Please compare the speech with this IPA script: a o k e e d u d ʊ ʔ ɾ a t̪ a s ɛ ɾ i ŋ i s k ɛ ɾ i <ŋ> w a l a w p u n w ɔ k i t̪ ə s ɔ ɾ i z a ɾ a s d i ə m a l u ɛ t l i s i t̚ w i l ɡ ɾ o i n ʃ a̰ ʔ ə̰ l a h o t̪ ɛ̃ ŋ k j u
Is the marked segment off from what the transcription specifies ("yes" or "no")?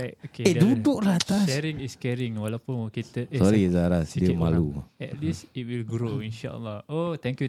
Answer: no